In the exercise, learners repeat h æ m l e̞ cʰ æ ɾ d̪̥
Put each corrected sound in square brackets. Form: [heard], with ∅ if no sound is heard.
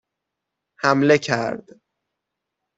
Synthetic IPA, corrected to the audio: h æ m l e̞ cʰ æ ɾ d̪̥

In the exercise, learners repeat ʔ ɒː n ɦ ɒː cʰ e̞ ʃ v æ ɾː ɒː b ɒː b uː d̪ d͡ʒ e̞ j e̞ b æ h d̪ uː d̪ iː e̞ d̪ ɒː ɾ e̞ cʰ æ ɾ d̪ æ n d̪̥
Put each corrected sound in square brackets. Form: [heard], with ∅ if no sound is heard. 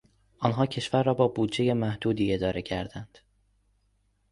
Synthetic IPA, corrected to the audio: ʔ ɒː n ɦ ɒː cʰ e̞ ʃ v æ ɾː ɒː b ɒː b uː d̪ d͡ʒ e̞ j e̞ [m] æ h d̪ uː d̪ iː e̞ d̪ ɒː ɾ e̞ cʰ æ ɾ d̪ æ n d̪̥

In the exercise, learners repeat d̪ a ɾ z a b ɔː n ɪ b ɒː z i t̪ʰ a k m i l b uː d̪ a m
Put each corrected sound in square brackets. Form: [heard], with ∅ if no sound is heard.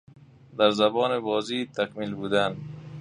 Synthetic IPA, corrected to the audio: d̪ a ɾ z a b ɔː n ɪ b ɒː z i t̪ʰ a k m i l b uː d̪ a [n]

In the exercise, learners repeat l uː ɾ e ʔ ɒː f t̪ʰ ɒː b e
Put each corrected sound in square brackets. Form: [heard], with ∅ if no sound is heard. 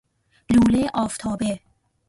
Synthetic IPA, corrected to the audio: l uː [l] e ʔ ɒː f t̪ʰ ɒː b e

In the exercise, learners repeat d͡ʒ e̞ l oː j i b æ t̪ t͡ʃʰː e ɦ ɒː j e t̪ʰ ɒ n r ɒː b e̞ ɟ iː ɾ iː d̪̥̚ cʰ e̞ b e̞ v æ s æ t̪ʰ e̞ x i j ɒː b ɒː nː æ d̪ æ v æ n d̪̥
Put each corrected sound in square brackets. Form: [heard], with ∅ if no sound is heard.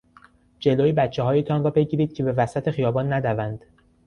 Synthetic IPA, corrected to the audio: d͡ʒ e̞ l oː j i b æ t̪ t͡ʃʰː e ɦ ɒː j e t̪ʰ ɒ n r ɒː b e̞ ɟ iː ɾ iː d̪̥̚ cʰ e̞ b e̞ v æ s æ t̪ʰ e̞ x i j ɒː b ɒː nː æ d̪ æ v æ n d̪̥

